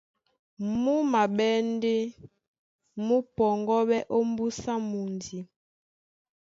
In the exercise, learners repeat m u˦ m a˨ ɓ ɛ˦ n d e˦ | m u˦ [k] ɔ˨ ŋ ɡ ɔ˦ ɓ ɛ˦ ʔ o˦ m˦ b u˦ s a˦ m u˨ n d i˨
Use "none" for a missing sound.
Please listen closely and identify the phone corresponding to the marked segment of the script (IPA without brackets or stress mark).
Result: p